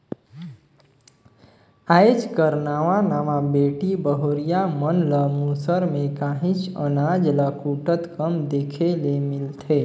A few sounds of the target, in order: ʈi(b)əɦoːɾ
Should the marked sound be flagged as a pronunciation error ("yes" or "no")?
no